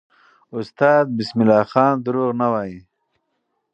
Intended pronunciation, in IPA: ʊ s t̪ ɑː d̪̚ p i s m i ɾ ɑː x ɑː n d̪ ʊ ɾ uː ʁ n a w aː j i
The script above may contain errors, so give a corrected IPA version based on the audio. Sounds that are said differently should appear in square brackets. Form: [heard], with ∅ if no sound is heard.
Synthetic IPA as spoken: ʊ s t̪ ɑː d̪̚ [b] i s m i [l] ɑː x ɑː n d̪ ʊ ɾ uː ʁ n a w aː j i